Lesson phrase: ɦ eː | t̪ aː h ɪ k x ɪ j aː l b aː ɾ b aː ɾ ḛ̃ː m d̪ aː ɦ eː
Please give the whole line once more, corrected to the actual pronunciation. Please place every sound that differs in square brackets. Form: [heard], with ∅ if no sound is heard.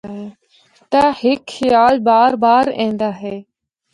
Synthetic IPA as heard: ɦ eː | t̪ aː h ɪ k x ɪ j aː l b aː ɾ b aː ɾ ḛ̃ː [n] d̪ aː ɦ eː